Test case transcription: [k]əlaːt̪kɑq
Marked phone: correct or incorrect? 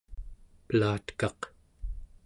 incorrect